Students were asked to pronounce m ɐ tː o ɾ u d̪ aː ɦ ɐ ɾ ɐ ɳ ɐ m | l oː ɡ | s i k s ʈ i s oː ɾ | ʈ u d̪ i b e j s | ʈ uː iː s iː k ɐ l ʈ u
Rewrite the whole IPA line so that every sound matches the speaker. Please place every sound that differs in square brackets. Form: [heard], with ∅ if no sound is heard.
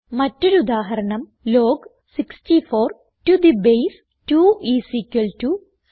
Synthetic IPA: m ɐ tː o ɾ u d̪ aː ɦ ɐ ɾ ɐ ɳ ɐ m | l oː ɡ | s i k s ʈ i [f] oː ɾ | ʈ u d̪ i b e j s | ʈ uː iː s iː k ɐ l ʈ u